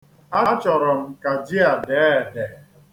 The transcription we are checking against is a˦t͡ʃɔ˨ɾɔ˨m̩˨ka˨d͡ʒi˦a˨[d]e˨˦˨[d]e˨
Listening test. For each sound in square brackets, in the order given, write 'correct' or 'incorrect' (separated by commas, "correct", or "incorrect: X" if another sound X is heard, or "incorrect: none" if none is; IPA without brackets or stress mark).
correct, correct